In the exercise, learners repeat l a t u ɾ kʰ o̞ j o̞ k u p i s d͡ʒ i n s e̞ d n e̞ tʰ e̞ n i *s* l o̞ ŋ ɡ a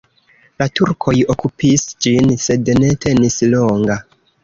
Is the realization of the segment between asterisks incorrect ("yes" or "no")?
no